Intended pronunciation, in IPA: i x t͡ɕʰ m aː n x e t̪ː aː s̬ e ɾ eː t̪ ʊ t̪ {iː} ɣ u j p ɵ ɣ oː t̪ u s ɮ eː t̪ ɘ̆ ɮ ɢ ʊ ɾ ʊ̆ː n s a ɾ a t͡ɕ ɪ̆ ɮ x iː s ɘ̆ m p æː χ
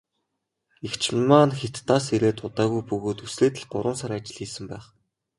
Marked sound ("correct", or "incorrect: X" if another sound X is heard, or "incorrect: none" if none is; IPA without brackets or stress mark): incorrect: aː